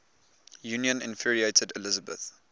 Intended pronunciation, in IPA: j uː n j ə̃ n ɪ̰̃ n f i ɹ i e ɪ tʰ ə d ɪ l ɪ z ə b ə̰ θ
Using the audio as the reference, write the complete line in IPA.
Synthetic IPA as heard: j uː n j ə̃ n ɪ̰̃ n f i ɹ i e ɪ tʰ ə d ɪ l ɪ z ə b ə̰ θ